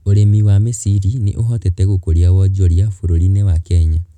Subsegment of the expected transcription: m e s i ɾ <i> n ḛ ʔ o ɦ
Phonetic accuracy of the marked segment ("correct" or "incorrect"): correct